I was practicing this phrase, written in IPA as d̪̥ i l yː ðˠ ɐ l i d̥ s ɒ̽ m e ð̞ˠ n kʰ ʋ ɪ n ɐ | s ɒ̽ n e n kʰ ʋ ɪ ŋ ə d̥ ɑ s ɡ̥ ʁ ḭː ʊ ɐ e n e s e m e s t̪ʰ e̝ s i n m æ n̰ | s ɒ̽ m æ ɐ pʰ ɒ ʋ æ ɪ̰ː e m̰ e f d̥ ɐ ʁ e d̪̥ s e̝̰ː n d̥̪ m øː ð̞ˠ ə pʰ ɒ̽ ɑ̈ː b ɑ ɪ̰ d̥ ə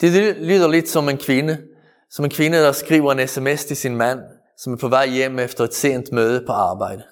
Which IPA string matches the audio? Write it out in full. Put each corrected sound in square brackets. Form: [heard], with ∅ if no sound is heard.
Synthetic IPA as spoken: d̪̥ [e] l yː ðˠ ɐ l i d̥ s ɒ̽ m e [∅] n kʰ ʋ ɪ n [ə] | s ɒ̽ [m] e n kʰ ʋ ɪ [n] ə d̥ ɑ s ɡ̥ ʁ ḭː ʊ ɐ e n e s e m e s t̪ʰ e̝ s i n m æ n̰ | s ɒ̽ m æ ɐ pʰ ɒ ʋ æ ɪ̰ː e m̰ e f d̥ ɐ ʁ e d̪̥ s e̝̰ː n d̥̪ m øː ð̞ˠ ə pʰ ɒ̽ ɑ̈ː b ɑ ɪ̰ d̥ ə